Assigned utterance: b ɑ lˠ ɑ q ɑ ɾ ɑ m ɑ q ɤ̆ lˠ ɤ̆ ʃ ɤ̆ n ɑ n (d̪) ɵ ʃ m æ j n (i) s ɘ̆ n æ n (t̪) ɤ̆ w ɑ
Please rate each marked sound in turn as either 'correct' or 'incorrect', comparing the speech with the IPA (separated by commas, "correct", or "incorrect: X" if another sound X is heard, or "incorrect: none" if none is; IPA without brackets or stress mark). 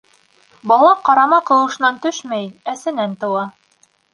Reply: incorrect: t̪, incorrect: æ, correct